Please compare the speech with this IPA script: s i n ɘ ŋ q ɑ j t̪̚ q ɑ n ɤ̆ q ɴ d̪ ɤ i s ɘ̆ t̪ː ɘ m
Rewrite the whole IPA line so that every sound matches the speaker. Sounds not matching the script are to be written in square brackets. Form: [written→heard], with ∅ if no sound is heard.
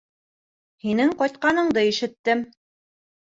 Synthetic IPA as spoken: [s→h] i n ɘ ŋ q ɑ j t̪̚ q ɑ n ɤ̆ [q→∅] ɴ d̪ ɤ i [s→ʃ] ɘ̆ t̪ː ɘ m